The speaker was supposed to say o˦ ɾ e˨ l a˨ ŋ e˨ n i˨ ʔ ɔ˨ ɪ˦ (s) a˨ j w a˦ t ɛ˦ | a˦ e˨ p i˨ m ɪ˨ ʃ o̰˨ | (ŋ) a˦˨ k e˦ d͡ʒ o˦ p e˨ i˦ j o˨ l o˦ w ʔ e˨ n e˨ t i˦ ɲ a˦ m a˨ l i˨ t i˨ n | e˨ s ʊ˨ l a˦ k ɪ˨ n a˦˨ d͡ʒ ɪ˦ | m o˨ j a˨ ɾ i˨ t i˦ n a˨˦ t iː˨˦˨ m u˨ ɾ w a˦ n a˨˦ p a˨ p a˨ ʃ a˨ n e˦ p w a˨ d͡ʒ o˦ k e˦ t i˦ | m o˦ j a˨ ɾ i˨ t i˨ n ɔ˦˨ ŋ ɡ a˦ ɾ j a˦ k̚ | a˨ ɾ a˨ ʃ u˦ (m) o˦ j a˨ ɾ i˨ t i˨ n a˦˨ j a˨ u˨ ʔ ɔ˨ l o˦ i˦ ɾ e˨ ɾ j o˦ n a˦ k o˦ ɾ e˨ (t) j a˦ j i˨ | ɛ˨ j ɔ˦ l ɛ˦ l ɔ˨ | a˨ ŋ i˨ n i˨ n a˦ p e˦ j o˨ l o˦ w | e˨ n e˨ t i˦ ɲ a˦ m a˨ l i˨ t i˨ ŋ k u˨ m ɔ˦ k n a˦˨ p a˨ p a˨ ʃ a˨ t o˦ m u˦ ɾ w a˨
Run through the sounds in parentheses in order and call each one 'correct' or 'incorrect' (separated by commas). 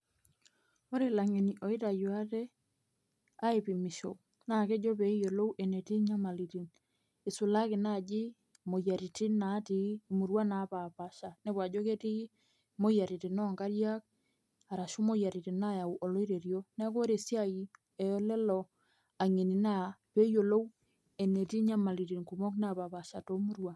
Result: incorrect, incorrect, correct, incorrect